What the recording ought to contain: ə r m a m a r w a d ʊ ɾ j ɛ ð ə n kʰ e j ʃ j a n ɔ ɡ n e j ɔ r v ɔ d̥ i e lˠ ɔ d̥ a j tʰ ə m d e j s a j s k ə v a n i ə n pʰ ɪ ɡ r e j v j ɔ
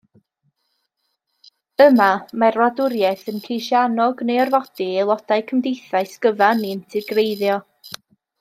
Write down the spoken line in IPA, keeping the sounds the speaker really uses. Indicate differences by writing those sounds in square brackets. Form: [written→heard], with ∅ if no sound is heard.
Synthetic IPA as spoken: ə [r→∅] m a m a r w a d ʊ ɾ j ɛ [ð→θ] ə n kʰ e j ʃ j a n ɔ ɡ n e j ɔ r v ɔ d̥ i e lˠ ɔ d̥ a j [tʰ→kʰ] ə m d e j [s→θ] a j s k ə v a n i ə n [pʰ→tʰ] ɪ ɡ r e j [v→ð] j ɔ